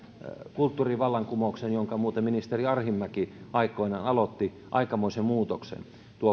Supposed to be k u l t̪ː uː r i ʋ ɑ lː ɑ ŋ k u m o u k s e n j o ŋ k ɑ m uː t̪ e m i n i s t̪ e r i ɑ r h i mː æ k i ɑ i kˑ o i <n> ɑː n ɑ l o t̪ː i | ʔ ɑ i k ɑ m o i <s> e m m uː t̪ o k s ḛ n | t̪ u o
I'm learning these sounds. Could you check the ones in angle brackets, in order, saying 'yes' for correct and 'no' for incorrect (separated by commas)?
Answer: yes, yes